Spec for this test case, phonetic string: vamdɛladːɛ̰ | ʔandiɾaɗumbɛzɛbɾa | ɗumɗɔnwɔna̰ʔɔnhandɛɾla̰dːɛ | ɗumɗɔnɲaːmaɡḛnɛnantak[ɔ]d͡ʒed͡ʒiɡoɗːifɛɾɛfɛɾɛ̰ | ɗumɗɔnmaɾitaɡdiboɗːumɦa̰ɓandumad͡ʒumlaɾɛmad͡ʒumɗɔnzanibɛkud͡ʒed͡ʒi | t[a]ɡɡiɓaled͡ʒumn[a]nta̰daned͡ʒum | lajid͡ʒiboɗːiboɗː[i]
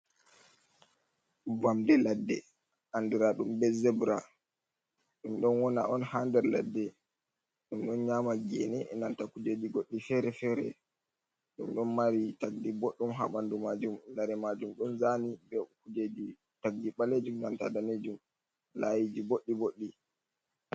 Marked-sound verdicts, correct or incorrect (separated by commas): incorrect, correct, correct, correct